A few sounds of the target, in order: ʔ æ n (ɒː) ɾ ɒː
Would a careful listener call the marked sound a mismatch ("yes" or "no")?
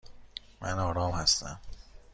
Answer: no